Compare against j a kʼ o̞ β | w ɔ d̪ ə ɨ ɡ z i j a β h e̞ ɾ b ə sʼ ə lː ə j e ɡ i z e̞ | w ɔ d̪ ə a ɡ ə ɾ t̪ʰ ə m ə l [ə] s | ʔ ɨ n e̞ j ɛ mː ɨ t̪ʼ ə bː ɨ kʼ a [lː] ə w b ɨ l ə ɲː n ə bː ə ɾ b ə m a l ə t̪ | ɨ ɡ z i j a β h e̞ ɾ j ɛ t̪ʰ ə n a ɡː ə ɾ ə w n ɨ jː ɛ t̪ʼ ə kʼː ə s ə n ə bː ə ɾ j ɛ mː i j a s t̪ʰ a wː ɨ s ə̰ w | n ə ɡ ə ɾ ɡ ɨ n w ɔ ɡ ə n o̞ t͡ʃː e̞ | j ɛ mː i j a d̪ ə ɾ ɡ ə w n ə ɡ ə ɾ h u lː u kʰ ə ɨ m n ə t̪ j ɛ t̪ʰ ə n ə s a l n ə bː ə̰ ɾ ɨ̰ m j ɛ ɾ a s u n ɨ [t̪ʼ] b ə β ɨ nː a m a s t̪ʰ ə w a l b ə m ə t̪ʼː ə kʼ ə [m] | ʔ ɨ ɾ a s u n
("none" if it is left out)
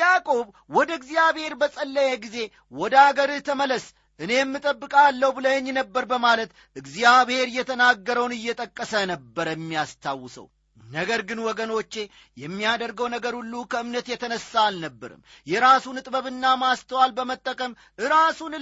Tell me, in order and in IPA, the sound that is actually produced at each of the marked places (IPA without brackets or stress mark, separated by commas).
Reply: ə, lː, t̪ʼ, m